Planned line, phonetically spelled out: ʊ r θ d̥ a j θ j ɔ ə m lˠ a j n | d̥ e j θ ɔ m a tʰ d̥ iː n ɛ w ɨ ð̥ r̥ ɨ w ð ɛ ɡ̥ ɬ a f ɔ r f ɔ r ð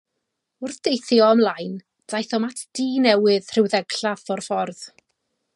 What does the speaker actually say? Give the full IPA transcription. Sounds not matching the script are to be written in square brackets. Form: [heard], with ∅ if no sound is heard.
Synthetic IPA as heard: ʊ r θ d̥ [e] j θ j ɔ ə m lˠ a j n | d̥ [a] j θ ɔ m a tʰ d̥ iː n ɛ w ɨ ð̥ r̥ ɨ w ð ɛ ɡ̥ ɬ a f ɔ r f ɔ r ð

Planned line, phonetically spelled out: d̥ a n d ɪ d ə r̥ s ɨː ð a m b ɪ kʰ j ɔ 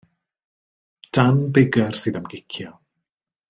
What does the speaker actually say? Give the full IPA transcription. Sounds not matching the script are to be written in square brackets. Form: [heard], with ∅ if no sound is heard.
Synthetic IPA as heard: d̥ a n [b] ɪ [ɡ] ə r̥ s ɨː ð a m [ɡ] ɪ kʰ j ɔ

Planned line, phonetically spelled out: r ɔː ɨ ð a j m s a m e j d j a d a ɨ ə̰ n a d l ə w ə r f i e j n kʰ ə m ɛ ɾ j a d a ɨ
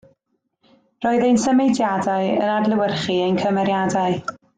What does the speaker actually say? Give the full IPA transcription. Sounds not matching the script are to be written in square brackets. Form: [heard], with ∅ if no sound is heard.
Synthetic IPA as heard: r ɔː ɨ ð [e] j [n] s [ə] m e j d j a d a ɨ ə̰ n a d l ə w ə r [χ] i e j n kʰ ə m ɛ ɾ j a d a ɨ

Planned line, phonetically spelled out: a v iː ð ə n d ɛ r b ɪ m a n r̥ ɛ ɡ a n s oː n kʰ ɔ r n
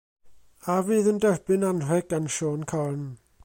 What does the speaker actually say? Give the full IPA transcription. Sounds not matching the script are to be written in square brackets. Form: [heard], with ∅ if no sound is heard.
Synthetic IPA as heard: a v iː ð ə n d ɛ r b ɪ [n] a n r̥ ɛ ɡ a n [ʃ] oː n kʰ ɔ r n

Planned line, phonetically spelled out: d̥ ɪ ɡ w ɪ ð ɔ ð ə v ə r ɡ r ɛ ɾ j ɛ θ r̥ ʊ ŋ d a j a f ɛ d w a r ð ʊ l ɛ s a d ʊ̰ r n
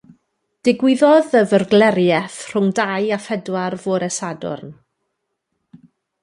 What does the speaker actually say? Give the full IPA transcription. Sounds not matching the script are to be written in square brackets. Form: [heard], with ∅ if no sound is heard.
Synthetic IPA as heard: d̥ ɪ ɡ w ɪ ð ɔ ð ə v ə r ɡ [l] ɛ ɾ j ɛ θ r̥ ʊ ŋ d a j a f ɛ d w a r [v] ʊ [ɾ] ɛ s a d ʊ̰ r n

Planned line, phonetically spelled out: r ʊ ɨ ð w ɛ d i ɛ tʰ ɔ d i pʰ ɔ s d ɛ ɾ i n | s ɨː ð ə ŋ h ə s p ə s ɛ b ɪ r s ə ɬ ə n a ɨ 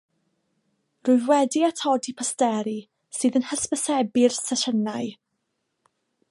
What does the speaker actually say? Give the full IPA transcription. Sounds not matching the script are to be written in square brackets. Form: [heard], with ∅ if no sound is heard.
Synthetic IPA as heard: r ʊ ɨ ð w ɛ d i [a] tʰ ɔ d i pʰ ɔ s [t] ɛ ɾ i [∅] | s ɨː ð ə [n] h ə s p ə s ɛ b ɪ r s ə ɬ ə n a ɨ

